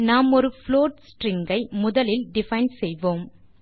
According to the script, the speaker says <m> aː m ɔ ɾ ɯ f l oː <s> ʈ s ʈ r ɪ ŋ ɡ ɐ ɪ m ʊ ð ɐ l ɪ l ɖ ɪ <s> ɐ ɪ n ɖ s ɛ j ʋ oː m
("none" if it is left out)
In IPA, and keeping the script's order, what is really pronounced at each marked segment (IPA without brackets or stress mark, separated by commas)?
n, none, f